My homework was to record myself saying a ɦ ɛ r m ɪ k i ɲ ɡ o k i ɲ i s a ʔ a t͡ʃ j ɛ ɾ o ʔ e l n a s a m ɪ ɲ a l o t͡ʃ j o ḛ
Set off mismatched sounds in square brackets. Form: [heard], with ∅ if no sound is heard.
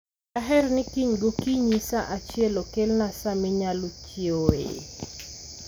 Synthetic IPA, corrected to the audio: a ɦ ɛ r [n] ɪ k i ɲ ɡ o k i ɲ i s a ʔ a t͡ʃ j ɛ [l] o [k] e l n a s a m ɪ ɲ a l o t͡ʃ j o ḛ